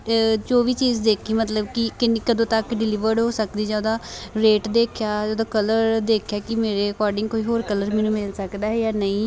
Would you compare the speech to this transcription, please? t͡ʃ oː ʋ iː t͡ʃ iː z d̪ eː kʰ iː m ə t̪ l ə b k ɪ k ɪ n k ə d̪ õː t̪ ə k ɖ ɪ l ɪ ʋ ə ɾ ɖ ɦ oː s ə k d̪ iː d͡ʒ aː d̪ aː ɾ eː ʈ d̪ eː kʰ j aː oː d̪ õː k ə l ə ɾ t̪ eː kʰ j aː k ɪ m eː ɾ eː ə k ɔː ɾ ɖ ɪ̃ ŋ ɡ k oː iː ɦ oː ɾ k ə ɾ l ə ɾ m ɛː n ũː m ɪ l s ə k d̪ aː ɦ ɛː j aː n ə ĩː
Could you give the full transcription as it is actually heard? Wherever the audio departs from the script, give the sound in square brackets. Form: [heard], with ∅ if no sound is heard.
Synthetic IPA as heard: t͡ʃ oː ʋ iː t͡ʃ iː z d̪ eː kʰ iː m ə t̪ l ə b k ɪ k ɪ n k ə d̪ õː t̪ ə k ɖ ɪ l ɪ ʋ ə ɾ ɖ ɦ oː s ə k d̪ iː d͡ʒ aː d̪ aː ɾ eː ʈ d̪ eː kʰ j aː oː d̪ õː k ə l ə ɾ [d̪] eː kʰ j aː k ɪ m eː ɾ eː ə k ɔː ɾ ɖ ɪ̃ ŋ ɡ k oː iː ɦ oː ɾ k ə [∅] l ə ɾ m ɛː n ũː m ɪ l s ə k d̪ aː ɦ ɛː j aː n ə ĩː